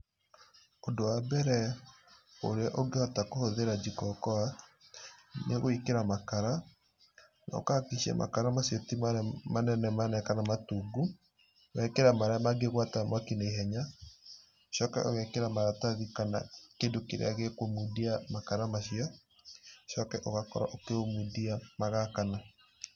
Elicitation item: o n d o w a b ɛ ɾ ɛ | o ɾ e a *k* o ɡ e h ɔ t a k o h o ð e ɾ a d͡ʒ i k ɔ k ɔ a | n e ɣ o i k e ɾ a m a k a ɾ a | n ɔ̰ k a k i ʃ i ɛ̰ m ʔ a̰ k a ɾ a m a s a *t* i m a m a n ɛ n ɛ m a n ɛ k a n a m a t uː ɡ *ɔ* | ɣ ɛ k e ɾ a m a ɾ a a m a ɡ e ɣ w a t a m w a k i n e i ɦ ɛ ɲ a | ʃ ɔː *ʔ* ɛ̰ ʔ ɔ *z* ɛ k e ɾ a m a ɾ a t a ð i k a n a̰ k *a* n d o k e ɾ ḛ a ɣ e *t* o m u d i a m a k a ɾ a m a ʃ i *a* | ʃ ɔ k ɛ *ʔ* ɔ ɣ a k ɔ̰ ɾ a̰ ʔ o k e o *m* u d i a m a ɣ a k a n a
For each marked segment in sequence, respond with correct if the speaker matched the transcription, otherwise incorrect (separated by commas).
incorrect, correct, incorrect, incorrect, incorrect, incorrect, incorrect, correct, correct, correct